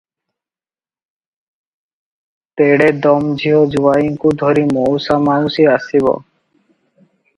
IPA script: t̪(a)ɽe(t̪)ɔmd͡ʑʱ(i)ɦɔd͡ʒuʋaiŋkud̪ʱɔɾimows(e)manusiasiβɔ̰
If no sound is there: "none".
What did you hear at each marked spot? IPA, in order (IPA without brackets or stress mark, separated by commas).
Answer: e, d̪, i, a